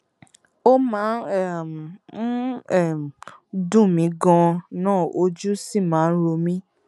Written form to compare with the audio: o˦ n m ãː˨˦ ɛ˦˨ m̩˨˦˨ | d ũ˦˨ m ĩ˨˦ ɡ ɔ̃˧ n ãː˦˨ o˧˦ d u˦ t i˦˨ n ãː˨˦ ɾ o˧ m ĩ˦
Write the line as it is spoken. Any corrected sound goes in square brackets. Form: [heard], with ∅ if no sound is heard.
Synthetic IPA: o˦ [∅] m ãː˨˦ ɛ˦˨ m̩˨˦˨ | d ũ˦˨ m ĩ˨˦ ɡ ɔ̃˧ n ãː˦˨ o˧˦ [d͡ʒ] u˦ [s] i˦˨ [m] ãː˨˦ ɾ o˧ m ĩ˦